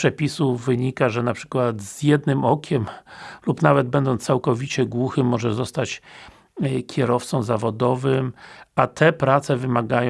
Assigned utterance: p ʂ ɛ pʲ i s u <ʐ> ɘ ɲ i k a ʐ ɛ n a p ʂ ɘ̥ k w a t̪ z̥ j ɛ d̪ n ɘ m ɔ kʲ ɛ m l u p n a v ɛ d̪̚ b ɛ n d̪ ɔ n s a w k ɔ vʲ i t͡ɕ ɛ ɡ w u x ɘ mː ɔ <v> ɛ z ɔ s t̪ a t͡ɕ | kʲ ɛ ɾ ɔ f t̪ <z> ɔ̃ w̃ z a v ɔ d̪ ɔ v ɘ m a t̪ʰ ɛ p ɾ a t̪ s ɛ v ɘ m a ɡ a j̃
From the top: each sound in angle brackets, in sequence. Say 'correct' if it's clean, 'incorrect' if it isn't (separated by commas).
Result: incorrect, incorrect, incorrect